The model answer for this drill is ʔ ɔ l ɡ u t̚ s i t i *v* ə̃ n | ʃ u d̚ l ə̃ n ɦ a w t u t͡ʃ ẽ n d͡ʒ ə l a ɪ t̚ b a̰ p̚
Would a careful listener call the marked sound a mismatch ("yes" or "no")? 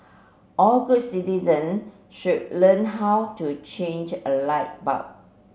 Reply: yes